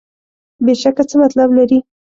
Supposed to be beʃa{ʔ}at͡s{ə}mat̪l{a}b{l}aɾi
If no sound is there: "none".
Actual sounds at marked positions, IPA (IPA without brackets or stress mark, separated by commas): k, ə, a, l